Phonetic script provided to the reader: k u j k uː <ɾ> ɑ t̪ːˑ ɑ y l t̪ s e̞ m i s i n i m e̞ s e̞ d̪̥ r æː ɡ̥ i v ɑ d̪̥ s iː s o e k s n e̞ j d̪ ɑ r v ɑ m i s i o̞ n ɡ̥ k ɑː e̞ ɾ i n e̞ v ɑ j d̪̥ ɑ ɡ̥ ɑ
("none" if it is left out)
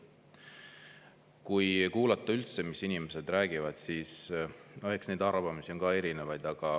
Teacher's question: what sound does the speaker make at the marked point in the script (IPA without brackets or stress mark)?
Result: l